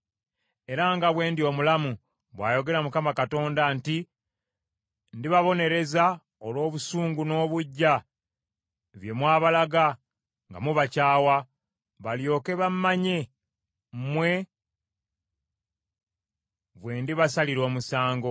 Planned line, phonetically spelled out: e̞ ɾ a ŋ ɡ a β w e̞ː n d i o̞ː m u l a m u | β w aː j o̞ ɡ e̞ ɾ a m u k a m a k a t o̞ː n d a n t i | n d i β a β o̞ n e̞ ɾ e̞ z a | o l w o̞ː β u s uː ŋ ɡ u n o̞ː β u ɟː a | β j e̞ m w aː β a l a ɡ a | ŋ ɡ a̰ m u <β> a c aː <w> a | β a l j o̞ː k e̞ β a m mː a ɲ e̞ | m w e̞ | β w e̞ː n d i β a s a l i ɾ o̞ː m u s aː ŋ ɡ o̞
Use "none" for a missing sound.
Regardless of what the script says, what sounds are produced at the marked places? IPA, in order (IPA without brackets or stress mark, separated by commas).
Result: β, w